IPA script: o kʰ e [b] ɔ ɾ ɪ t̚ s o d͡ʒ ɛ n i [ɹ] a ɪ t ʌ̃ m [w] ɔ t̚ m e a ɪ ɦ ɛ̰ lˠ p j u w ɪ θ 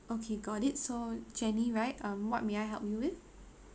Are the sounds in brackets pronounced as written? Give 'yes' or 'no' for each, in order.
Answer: no, yes, yes

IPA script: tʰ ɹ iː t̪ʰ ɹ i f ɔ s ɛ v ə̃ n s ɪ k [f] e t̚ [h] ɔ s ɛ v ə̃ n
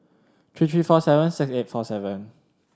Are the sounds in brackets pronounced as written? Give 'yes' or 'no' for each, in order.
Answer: no, no

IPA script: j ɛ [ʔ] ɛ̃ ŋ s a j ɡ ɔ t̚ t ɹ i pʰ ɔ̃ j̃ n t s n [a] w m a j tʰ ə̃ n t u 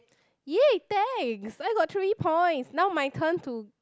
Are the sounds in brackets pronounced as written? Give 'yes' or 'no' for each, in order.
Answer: no, yes

